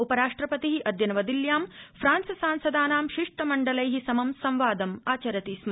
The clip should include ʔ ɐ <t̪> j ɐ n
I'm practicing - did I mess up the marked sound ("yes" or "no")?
yes